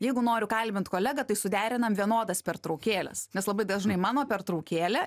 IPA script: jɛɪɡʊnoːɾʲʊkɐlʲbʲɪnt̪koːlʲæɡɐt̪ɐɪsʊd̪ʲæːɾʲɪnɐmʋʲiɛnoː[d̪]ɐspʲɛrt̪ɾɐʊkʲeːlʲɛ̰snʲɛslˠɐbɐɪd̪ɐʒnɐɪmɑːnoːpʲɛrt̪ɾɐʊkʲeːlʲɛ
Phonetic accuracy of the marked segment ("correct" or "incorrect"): correct